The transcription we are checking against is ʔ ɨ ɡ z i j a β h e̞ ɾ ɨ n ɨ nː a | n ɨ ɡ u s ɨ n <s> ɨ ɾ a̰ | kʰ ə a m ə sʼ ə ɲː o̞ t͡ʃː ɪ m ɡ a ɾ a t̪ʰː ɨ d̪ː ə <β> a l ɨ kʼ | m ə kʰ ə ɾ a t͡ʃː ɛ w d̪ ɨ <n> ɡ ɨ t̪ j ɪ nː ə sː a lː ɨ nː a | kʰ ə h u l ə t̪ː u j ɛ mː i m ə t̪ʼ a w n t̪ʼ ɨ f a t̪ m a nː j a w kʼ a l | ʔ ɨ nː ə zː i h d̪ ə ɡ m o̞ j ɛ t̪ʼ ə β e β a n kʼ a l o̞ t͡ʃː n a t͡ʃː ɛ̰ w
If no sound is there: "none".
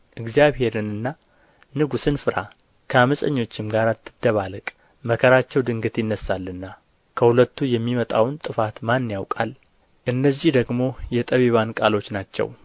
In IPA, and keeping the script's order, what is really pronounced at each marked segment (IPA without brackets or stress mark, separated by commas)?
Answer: f, β, ŋ